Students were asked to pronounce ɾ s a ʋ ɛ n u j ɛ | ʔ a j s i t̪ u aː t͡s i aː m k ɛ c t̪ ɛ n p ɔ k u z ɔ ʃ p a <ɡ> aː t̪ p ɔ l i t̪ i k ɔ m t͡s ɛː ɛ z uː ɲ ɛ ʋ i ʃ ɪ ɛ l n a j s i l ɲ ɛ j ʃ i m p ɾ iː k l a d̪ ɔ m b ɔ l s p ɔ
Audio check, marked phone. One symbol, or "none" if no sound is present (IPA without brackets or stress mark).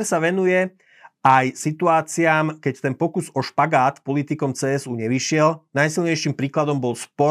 ɡ